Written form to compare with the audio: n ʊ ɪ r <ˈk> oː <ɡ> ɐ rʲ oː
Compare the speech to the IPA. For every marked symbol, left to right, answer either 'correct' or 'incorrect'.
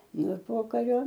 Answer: incorrect: p, incorrect: k

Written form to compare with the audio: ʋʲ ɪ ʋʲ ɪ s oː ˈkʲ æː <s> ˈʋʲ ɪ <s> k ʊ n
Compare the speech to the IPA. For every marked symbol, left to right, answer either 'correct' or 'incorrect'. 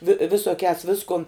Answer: correct, correct

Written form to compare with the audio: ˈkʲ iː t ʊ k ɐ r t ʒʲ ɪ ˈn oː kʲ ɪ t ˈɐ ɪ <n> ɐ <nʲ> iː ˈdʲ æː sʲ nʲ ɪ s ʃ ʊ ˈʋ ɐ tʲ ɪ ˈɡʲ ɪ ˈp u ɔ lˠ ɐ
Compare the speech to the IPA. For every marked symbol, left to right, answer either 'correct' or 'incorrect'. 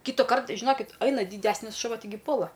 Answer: correct, incorrect: dʲ

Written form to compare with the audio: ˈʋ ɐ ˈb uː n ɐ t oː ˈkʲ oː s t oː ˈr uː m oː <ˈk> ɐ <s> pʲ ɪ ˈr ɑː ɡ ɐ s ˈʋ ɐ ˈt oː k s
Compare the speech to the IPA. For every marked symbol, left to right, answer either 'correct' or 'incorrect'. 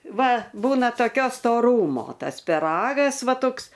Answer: incorrect: t, correct

